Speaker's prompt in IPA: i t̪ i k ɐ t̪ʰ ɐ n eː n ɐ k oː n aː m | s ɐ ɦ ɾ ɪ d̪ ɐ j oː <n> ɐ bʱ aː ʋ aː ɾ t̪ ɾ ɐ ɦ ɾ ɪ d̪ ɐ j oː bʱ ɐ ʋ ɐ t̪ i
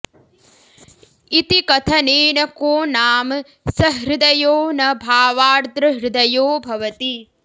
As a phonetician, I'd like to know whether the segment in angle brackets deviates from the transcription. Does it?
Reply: no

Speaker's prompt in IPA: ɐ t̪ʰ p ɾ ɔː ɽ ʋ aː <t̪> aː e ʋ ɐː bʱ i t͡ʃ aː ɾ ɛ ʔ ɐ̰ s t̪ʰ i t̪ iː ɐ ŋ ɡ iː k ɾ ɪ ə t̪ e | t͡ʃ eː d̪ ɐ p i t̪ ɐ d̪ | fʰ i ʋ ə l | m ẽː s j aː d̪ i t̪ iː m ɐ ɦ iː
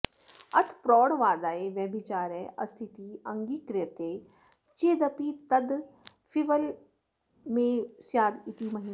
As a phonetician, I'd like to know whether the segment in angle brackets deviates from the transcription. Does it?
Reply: yes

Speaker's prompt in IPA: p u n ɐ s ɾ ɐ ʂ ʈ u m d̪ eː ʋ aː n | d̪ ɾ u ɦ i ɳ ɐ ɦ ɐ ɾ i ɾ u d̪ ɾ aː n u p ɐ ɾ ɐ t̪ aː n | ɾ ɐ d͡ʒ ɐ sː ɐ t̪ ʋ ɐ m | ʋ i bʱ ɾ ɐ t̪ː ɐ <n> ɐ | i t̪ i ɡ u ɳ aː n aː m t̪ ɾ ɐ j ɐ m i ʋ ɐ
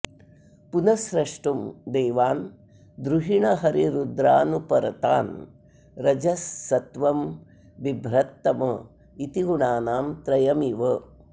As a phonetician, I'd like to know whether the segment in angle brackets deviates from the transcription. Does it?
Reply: yes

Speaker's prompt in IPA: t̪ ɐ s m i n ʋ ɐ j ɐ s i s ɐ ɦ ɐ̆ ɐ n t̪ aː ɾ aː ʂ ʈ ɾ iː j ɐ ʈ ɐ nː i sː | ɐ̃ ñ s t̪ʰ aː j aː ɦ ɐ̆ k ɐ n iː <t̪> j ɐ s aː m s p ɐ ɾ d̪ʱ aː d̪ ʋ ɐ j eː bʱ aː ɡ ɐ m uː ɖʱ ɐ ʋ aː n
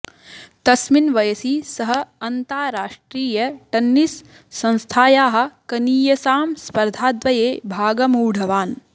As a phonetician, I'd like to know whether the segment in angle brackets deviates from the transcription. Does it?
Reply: yes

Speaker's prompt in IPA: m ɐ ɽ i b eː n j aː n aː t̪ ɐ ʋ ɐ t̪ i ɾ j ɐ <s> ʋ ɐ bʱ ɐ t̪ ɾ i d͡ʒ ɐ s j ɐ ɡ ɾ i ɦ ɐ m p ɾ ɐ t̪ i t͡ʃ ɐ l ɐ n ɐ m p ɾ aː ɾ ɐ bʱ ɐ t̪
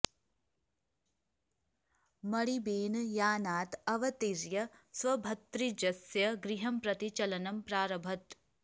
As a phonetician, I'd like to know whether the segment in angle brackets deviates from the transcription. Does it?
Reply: no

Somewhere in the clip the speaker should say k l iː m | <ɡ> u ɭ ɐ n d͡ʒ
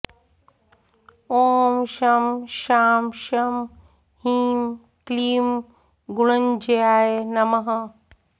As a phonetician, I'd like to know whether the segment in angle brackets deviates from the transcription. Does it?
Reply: no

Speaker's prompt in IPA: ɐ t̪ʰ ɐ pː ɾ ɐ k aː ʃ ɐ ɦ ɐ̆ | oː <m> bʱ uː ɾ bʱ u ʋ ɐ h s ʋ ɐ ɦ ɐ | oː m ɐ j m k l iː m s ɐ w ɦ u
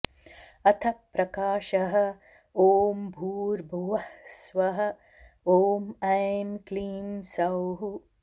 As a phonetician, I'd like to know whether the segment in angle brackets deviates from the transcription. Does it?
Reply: no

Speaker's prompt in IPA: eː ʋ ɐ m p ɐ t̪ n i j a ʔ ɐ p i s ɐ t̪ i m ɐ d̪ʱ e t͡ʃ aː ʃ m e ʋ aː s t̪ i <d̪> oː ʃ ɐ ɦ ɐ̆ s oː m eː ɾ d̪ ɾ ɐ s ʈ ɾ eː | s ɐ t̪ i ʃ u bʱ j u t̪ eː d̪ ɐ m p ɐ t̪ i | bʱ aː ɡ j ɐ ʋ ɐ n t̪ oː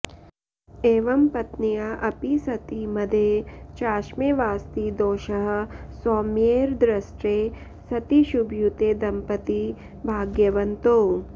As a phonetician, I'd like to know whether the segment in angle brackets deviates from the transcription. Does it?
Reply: no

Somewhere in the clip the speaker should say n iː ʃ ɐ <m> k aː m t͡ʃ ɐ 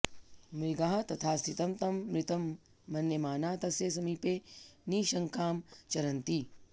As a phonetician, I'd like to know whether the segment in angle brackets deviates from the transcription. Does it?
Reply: yes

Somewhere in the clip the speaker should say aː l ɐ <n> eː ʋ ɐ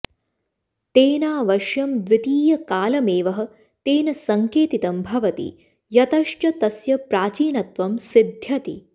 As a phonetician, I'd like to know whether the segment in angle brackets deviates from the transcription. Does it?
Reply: yes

